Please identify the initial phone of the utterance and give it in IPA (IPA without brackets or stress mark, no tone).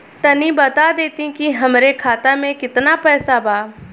t̪